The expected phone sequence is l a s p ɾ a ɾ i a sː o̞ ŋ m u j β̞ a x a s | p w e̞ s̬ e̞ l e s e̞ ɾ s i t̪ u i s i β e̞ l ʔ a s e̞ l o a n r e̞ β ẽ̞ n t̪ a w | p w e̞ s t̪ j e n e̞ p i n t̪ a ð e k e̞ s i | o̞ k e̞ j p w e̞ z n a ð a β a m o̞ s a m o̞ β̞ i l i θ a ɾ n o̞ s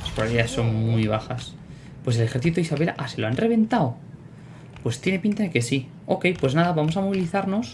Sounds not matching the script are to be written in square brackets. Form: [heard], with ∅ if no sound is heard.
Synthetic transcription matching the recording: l a s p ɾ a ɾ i a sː o̞ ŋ m u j β̞ a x a s | p w e̞ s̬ e̞ l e [x] e̞ ɾ [θ] i t̪ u i s [a] β e̞ l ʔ a s e̞ l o a n r e̞ β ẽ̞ n t̪ a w | p w e̞ s t̪ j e n e̞ p i n t̪ a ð e k e̞ s i | o̞ k e̞ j p w e̞ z n a ð a β a m o̞ s a m o̞ β̞ i l i θ a ɾ n o̞ s